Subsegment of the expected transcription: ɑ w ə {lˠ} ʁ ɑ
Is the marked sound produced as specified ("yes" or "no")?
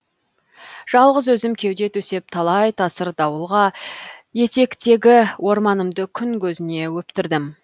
yes